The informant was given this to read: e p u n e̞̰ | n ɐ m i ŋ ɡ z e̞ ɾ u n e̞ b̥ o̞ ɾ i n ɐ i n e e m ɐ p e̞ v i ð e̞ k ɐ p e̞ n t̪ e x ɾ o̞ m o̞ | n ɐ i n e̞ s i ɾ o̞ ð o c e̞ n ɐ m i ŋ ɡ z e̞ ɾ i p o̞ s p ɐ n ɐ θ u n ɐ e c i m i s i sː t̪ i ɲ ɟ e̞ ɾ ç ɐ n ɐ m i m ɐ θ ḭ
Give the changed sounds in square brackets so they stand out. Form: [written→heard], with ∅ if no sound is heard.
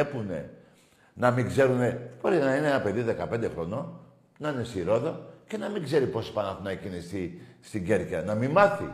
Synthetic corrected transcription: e p u n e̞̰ | n ɐ m i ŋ ɡ z e̞ ɾ u n e̞ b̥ o̞ ɾ i n ɐ i n e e [m→n] ɐ p e̞ [v→ð] i ð e̞ k ɐ p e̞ n [t̪→d̪] e x ɾ o̞ [m→n] o̞ | n ɐ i n e̞ s i ɾ o̞ ð o c e̞ n ɐ m i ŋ ɡ z e̞ ɾ i p o̞ s p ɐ n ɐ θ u n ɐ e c i [m→n] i s i [sː→s] t̪ i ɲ ɟ e̞ ɾ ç ɐ n ɐ m i m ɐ θ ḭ